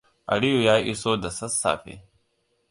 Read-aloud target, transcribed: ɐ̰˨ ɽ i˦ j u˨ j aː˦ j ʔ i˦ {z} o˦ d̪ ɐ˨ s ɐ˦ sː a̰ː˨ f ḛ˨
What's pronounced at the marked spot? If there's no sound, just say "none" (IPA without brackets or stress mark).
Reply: s